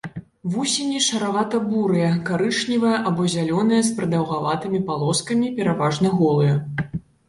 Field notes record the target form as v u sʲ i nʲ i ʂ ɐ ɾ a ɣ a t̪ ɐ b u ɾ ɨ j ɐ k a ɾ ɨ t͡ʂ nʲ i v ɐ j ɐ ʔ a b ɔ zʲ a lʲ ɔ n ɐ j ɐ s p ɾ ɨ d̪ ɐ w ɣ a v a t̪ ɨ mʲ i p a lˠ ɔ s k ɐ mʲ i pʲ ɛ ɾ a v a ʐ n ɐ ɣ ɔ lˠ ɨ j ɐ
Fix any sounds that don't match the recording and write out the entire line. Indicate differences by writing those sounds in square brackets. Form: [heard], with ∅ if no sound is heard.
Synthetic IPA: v u sʲ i nʲ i ʂ ɐ ɾ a [v] a t̪ ɐ b u ɾ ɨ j ɐ k a ɾ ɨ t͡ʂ nʲ i v ɐ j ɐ ʔ a b ɔ zʲ a lʲ ɔ n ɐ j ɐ s p ɾ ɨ d̪ ɐ w ɣ a v a t̪ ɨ mʲ i p a lˠ ɔ s k ɐ mʲ i pʲ ɛ ɾ a v a ʐ n ɐ ɣ ɔ lˠ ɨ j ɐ